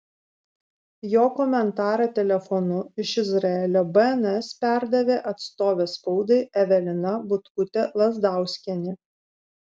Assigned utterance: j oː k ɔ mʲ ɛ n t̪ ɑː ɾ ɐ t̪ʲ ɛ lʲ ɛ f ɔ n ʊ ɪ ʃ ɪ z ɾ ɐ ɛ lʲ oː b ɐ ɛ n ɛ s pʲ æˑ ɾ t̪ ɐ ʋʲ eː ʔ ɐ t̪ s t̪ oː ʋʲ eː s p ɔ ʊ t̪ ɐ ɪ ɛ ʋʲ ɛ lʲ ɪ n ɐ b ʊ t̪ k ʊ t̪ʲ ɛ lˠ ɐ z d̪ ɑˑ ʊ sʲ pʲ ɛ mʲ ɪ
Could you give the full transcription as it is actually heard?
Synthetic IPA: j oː k ɔ mʲ ɛ n t̪ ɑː ɾ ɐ t̪ʲ ɛ lʲ ɛ f ɔ n ʊ ɪ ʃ ɪ z ɾ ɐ ɛ lʲ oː b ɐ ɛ n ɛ s pʲ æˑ ɾ d̪ ɐ ʋʲ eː ʔ ɐ t̪ s t̪ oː ʋʲ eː s p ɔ ʊ d̪ ɐ ɪ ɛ ʋʲ ɛ lʲ ɪ n ɐ b ʊ t̪ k ʊ t̪ʲ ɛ lˠ ɐ z d̪ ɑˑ ʊ sʲ kʲ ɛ nʲ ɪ